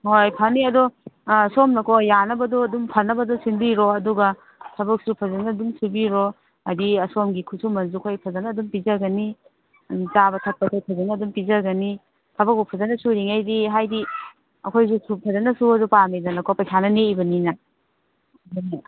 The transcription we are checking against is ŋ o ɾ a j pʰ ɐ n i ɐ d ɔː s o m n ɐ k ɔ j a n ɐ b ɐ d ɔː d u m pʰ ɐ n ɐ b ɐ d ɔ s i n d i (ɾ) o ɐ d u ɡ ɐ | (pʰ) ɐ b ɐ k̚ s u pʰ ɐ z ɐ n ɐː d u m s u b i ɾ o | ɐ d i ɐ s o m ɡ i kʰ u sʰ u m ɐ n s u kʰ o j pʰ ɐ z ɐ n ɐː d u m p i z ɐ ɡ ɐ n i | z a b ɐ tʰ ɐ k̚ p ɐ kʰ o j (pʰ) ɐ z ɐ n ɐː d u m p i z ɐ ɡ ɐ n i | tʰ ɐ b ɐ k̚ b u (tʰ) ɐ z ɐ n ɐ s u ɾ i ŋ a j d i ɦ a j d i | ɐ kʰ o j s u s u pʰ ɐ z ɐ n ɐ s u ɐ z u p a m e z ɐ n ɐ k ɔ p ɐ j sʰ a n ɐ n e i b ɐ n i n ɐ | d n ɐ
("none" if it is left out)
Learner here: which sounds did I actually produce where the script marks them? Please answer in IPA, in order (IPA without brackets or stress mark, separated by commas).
ɾ, tʰ, pʰ, pʰ